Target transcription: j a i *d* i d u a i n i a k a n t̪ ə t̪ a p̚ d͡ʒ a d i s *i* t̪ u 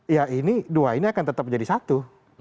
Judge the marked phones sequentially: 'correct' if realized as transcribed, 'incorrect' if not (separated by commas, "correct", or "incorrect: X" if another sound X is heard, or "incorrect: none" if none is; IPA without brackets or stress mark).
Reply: incorrect: n, incorrect: a